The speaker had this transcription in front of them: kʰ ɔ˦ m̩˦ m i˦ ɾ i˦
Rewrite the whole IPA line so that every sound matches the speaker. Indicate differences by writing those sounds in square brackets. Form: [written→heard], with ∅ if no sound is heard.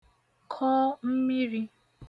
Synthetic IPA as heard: kʰ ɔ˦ m̩˦ m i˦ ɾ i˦